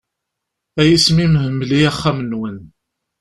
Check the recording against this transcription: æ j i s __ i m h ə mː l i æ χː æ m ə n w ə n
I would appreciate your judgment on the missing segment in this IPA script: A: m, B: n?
A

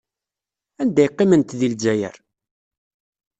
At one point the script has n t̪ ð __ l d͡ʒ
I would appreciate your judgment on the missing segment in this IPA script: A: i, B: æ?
A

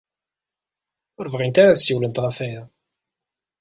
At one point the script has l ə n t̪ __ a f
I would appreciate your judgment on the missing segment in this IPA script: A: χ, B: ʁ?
B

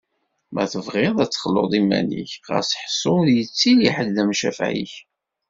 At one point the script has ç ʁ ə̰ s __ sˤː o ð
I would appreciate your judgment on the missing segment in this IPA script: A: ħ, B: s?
A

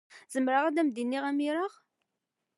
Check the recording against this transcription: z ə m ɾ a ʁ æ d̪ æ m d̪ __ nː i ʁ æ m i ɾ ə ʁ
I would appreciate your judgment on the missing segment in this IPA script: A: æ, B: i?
B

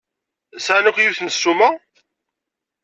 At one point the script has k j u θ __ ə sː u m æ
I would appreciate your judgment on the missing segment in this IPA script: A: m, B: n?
B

